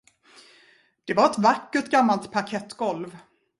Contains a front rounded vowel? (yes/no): no